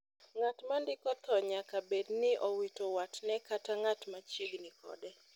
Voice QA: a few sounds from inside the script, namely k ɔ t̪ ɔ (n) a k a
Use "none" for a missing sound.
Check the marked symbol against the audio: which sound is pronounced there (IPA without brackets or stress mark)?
ɲ